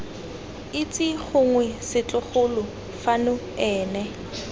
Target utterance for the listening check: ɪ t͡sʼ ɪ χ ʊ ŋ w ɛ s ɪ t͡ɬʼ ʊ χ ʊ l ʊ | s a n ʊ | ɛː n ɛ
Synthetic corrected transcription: ɪ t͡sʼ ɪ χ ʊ ŋ w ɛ s ɪ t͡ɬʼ ʊ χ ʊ l ʊ | f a n ʊ | ɛː n ɛ